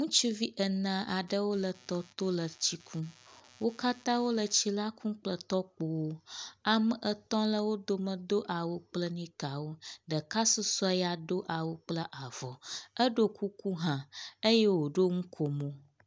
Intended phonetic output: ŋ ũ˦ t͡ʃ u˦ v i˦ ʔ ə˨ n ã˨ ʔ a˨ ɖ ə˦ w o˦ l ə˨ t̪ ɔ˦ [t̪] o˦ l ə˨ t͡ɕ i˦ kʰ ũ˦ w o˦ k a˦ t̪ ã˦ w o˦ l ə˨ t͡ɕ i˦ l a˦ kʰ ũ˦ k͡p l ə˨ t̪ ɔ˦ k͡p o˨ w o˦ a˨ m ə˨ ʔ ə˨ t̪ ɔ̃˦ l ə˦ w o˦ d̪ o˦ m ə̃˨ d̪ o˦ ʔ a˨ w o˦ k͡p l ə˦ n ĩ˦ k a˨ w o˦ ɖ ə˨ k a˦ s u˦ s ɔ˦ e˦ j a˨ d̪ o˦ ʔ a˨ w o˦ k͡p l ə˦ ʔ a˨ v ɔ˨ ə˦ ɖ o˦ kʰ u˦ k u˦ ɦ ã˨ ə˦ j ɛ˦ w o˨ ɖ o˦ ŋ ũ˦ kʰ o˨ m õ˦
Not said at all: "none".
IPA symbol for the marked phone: t̪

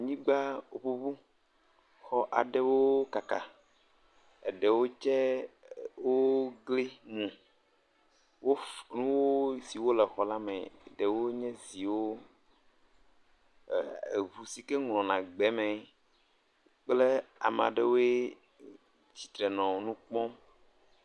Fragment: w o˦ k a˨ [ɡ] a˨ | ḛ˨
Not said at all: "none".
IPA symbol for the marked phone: k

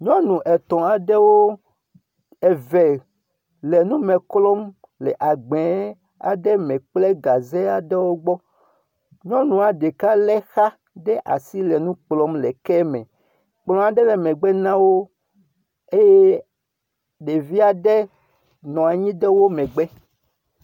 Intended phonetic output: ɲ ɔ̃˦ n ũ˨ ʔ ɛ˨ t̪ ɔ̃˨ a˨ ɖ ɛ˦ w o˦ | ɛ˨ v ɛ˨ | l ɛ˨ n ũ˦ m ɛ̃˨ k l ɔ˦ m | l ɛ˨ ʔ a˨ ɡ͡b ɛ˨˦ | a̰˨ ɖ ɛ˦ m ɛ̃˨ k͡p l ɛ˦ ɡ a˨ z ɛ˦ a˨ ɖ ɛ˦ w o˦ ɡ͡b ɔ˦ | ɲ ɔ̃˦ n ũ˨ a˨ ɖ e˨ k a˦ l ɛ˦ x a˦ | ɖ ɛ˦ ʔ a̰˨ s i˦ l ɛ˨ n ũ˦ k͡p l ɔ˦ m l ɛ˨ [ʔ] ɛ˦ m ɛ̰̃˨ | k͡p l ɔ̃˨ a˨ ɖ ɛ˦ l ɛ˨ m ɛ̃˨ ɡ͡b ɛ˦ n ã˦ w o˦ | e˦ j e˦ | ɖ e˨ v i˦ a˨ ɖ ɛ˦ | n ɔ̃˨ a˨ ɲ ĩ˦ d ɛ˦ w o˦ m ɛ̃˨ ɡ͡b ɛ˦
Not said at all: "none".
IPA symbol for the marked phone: k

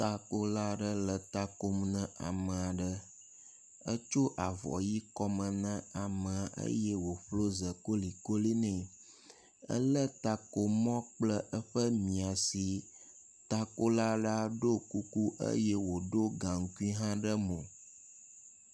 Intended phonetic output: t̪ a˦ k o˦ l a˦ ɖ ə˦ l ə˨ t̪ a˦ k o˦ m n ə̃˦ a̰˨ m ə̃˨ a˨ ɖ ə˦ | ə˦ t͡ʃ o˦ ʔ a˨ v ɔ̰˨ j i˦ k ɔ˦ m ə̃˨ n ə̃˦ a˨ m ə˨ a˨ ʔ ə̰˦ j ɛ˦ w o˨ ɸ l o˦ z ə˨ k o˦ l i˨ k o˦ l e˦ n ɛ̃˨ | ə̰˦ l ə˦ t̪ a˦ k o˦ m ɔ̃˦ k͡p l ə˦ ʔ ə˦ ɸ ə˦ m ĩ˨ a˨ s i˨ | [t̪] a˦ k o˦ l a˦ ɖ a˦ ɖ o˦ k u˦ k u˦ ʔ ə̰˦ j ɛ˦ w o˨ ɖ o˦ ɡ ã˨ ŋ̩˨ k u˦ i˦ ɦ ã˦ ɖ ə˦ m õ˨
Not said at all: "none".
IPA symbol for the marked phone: t̪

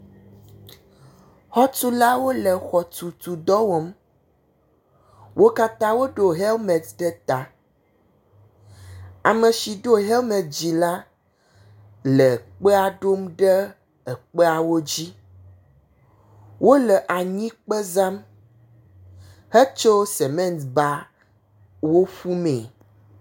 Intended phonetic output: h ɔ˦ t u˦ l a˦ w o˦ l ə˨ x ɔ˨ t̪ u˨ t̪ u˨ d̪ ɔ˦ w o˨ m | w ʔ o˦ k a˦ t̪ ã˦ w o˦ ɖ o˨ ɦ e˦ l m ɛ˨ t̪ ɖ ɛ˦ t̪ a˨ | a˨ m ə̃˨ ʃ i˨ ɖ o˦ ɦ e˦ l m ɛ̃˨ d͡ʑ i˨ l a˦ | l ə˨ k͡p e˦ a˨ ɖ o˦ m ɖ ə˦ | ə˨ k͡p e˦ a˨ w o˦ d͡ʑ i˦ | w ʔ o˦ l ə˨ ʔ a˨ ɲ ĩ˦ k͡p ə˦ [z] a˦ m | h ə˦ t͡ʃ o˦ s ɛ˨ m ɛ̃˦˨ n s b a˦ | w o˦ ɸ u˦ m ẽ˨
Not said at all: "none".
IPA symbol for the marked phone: z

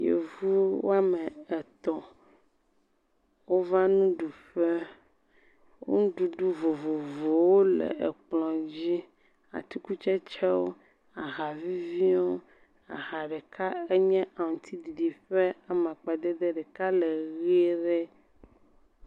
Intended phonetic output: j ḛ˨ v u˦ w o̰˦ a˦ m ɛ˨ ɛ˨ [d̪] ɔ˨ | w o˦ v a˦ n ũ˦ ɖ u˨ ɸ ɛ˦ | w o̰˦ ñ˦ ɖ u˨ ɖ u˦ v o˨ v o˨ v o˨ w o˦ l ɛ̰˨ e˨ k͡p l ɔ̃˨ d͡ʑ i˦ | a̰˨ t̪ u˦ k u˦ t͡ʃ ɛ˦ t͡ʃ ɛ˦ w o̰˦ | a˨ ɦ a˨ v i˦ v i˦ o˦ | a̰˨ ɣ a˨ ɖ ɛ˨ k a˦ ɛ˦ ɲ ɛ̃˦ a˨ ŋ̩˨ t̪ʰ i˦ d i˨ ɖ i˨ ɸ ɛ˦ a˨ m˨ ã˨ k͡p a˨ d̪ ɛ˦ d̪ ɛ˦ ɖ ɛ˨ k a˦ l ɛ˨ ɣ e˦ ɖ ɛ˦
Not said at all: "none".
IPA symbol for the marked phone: t̪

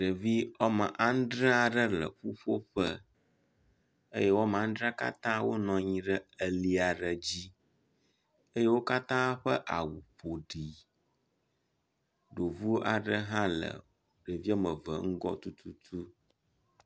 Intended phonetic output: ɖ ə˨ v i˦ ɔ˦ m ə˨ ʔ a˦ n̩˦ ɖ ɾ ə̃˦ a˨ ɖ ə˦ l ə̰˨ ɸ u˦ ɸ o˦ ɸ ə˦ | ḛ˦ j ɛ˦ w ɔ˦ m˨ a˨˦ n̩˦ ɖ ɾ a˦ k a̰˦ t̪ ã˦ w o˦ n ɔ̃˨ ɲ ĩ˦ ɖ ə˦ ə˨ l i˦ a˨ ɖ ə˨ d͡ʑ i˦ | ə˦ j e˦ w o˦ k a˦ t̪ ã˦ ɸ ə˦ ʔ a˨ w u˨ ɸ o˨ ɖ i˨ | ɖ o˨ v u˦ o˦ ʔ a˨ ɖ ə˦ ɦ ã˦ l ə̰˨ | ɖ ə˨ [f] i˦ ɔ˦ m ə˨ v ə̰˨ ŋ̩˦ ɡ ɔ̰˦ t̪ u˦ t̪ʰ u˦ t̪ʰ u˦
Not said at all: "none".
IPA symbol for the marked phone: v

